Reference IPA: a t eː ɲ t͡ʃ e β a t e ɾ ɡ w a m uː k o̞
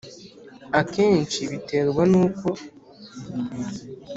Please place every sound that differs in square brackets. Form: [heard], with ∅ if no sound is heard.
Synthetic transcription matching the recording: a [k] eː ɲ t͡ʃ [i] β [i] t e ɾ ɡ w a [n] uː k o̞